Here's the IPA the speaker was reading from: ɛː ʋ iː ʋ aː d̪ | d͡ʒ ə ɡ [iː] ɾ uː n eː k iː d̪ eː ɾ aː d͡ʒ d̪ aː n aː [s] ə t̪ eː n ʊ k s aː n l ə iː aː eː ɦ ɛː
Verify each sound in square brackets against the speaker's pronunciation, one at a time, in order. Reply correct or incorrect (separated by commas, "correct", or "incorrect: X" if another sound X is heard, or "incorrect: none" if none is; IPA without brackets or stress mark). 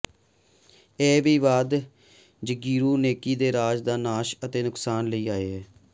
correct, incorrect: ʃ